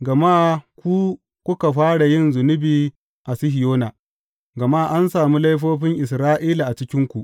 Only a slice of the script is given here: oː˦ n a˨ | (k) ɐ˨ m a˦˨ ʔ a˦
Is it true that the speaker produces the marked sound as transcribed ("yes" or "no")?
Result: no